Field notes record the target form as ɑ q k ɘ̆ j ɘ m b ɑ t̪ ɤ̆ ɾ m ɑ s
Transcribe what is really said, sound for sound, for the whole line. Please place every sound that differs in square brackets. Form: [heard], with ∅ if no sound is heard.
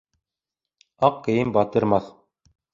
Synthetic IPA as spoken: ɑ q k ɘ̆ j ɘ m b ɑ t̪ ɤ̆ ɾ m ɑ [θ]